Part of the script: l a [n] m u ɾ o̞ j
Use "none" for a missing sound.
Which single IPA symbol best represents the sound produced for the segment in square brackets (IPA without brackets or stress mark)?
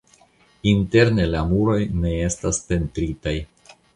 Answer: none